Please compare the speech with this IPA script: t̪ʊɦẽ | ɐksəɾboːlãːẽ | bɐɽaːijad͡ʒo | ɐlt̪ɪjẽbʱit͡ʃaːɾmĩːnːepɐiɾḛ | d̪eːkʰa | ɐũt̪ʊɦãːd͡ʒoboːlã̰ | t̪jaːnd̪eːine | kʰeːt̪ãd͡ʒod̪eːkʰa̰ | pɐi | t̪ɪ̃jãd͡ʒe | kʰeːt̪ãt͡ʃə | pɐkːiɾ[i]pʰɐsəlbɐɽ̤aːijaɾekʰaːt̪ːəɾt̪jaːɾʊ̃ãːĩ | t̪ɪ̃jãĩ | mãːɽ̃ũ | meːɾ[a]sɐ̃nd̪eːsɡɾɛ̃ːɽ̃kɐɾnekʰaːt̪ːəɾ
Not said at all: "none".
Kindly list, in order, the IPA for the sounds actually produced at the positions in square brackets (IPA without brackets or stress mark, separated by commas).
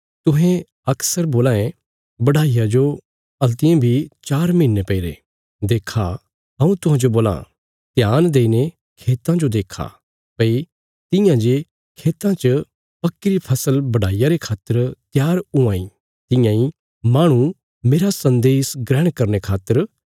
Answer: i, a